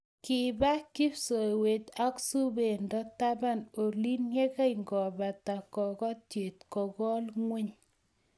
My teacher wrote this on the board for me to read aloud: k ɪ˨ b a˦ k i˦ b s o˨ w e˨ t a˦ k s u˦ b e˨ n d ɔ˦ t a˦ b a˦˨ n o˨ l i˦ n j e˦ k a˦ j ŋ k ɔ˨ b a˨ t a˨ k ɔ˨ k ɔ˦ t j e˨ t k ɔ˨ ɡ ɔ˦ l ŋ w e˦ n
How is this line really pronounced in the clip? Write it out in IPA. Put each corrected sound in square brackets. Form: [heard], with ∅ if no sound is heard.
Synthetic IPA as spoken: k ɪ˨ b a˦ k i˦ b s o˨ w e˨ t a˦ k s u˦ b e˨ n d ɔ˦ t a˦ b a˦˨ n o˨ l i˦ n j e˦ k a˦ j ŋ [ɡ] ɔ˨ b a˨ t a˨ k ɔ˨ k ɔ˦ t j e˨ t k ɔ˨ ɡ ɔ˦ l ŋ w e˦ [ɲ]

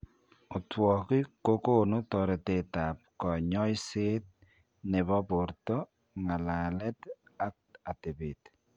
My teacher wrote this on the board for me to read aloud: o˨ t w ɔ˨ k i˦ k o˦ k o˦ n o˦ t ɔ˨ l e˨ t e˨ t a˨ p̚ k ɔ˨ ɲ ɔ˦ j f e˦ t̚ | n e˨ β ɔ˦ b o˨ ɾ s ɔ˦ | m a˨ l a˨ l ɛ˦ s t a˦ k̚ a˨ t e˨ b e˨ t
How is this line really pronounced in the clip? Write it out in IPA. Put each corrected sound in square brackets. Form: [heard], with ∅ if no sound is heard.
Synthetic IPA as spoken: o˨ t w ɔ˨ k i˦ k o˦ k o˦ n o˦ t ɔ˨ [ɾ] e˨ t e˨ t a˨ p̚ k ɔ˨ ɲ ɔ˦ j [s] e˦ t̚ | n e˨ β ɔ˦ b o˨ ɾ [t] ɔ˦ | [ŋ] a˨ l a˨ l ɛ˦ [∅] t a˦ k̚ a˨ t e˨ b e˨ t

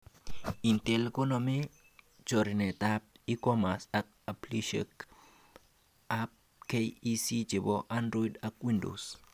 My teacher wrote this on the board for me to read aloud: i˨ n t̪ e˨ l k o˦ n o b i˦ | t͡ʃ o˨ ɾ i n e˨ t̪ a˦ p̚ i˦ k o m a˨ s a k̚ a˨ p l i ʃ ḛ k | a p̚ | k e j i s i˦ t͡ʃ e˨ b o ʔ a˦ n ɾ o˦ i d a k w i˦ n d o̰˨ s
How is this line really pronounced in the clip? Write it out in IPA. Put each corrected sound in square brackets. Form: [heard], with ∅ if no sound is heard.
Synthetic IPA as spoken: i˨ n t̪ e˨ l k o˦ n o [m] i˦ | t͡ʃ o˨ ɾ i n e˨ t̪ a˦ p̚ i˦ k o m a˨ s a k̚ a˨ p l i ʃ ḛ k | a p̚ | k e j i s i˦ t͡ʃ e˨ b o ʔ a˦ n ɾ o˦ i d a k w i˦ n d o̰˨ s

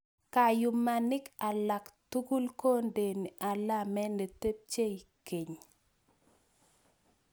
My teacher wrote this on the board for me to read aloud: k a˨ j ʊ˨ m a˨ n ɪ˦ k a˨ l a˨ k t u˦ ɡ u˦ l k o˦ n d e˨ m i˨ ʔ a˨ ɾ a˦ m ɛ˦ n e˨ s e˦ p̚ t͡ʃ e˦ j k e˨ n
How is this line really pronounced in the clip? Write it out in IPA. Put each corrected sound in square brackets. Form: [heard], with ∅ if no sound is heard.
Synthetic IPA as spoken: k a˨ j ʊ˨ m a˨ n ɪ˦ k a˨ l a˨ k t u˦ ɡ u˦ l k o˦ n d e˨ [n] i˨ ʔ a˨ [l] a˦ m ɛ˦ n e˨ [t] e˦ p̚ t͡ʃ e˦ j k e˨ [ɲ]

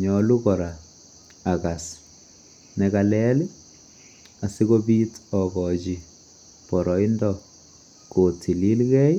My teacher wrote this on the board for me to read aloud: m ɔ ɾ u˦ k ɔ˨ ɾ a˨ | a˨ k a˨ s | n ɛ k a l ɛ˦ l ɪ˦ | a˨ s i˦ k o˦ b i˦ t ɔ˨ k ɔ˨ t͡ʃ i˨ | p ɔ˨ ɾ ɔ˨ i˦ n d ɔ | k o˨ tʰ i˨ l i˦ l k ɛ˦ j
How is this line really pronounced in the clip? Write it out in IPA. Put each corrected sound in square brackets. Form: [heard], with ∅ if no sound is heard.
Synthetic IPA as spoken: [ɲ] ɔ [l] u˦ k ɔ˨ ɾ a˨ | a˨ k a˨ s | n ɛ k a l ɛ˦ l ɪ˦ | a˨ s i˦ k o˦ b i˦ t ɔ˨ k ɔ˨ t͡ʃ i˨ | p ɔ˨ ɾ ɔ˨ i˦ n d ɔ | k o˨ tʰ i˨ l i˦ l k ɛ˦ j

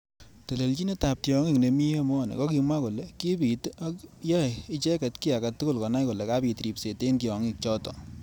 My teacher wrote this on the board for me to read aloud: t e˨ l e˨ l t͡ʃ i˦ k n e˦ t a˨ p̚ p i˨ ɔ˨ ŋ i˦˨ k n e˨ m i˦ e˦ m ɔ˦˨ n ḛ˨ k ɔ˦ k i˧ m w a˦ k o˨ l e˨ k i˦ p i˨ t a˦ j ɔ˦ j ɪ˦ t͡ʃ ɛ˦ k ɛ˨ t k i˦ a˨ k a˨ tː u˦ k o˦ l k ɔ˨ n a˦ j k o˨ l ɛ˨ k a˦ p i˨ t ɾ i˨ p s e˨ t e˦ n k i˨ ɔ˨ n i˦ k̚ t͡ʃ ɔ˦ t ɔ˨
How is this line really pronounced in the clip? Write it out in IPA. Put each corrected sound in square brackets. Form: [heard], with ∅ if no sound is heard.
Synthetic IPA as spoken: t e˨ l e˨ l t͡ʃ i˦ [∅] n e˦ t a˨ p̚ [t] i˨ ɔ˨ ŋ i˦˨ k n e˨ m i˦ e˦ m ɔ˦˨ n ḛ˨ k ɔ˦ k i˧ m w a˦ k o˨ l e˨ k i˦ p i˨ t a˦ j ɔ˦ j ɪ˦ t͡ʃ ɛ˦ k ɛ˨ t k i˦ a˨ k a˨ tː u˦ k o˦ l k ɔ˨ n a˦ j k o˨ l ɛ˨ k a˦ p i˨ t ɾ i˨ p s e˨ t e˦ n k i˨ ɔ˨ [ŋ] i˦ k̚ t͡ʃ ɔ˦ t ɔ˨

